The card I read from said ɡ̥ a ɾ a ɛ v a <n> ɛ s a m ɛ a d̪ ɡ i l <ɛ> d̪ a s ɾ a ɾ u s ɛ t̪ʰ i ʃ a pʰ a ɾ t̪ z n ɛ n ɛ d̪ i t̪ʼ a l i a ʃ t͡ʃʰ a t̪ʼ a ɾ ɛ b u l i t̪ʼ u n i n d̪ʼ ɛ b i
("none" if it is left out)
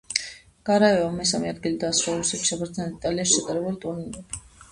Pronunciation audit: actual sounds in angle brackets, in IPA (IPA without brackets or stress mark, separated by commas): m, i